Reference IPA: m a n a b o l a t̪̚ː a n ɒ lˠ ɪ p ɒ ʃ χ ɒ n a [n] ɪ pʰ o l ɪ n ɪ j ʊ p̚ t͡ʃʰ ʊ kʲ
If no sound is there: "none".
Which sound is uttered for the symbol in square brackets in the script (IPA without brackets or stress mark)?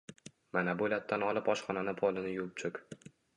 n